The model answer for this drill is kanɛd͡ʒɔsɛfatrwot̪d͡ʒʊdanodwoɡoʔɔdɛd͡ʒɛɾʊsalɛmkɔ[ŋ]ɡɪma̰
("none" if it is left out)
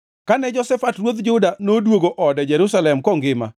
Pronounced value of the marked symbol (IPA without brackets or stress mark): ŋ